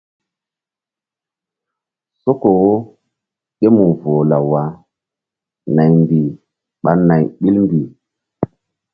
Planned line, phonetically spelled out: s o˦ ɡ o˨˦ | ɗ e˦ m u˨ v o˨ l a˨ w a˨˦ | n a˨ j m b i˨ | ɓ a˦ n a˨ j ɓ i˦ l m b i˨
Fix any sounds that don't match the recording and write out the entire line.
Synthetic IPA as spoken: s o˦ k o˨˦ | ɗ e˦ m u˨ v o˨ l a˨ w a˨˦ | n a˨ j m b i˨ | ɓ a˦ n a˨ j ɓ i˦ l m b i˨